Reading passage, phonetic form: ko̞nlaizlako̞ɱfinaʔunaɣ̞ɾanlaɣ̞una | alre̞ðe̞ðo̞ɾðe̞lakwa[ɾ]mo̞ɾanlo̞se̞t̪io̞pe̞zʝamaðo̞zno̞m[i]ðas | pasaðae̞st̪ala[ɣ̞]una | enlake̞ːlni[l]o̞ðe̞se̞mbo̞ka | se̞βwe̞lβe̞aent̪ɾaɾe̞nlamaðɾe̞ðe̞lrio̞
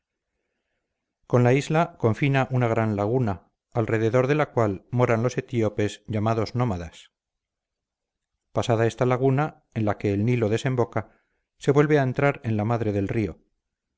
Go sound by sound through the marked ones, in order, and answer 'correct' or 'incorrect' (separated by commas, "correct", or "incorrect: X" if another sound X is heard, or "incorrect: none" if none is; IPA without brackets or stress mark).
incorrect: l, incorrect: a, correct, correct